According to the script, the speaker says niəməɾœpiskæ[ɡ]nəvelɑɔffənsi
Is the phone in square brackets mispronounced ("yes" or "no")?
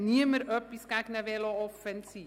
yes